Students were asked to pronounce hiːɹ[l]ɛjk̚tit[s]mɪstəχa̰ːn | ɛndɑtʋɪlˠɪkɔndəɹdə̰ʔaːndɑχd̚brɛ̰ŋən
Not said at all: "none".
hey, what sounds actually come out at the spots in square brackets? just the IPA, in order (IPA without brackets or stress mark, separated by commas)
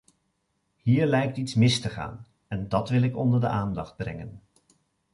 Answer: l, s